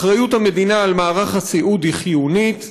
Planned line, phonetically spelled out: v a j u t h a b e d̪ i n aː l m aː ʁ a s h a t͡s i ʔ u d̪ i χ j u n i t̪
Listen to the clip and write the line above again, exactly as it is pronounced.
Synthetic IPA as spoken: ʁ a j u t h a m e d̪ i n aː l m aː ʁ a χ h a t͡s i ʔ u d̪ i χ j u n i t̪

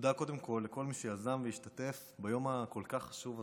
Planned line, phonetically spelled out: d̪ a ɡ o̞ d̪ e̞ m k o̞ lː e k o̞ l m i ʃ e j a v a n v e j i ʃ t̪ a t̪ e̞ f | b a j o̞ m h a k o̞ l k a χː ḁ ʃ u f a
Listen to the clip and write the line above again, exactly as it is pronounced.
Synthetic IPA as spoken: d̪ a k o̞ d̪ e̞ m k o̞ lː e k o̞ l m i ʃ e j a z a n v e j i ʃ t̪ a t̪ e̞ f | b a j o̞ m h a k o̞ l k a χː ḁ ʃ u v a

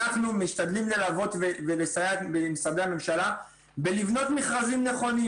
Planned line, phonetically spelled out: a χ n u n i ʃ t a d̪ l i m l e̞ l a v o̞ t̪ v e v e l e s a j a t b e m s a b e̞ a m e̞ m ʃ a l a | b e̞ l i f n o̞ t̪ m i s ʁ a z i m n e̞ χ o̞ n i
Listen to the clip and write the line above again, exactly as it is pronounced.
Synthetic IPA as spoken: a χ n u m i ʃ t a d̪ l i m l e̞ l a v o̞ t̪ v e v e l e s a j a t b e m s a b e̞ a m e̞ m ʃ a l a | b e̞ l i v n o̞ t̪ m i χ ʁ a z i m n e̞ χ o̞ n i

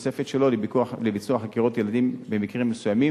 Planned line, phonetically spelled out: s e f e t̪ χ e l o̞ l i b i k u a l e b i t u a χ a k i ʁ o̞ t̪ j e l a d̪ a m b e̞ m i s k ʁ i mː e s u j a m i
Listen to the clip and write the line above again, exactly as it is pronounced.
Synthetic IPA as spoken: s e f e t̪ ʃ e l o̞ l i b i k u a l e b i t͡s u a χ a k i ʁ o̞ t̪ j e l a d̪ i m b e̞ m i k ʁ i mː e s u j a m i

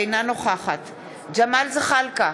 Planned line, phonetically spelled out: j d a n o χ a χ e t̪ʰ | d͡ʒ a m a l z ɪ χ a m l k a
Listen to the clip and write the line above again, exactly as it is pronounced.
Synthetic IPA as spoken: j n a n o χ a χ a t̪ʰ | d͡ʒ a m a l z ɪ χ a l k a

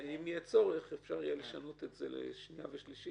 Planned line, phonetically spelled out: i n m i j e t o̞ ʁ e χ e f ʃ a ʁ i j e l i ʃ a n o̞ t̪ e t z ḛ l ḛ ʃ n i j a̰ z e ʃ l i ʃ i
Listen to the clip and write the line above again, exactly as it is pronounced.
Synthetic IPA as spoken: i m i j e t͡s o̞ ʁ e χ e f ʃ a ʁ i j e l e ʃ a n o̞ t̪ e t z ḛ l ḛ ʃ n i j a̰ v e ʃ l i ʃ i

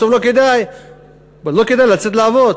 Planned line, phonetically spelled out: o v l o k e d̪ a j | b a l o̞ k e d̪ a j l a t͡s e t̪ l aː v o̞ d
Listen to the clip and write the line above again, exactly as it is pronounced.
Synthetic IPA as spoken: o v l o k e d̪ a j | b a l o̞ k e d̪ a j l a t͡s e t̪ l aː v o̞ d

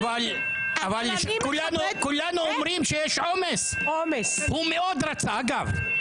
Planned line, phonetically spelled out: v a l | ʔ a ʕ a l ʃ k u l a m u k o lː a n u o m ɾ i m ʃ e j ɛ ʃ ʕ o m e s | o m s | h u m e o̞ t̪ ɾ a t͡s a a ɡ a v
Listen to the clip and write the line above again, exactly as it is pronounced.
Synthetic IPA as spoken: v a l | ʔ a v a l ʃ k u l a n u k u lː a n u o m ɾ i m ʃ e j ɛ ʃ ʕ o m e s | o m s | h u m e o̞ d̪ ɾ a t͡s a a ɡ a v

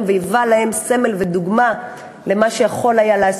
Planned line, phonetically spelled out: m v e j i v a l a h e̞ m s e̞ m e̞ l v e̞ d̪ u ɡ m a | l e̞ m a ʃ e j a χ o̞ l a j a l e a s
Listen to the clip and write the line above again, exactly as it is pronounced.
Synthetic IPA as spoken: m v e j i v a l a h e̞ m s e̞ m e̞ l v e̞ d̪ u ɡ m a | l e̞ m a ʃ e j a χ o̞ l a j a l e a s

